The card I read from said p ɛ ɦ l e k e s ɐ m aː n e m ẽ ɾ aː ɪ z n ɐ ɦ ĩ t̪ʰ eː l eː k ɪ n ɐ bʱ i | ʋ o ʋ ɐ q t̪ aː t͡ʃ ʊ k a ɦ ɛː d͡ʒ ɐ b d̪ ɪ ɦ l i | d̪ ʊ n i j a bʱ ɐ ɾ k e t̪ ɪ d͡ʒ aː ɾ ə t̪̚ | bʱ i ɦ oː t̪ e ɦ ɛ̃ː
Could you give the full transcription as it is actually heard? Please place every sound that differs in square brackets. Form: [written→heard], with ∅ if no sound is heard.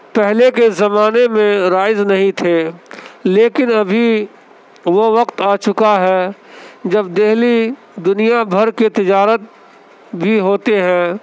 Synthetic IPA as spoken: p ɛ ɦ l e k e [s→z] ɐ m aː n e m ẽ ɾ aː ɪ z n ɐ ɦ ĩ t̪ʰ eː l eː k ɪ n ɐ bʱ i | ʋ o ʋ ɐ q t̪ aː t͡ʃ ʊ k a ɦ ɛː d͡ʒ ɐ b d̪ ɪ ɦ l i | d̪ ʊ n i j a bʱ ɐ ɾ k e t̪ ɪ d͡ʒ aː ɾ ə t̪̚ | bʱ i ɦ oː t̪ e ɦ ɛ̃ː